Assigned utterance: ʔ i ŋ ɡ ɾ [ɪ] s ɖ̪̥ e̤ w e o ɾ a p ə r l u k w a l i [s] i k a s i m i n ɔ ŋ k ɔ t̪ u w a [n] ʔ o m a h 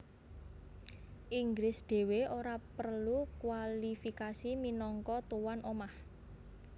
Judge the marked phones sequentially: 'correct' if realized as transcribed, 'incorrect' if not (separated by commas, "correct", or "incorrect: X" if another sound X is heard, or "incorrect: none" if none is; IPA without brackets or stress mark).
correct, incorrect: f, correct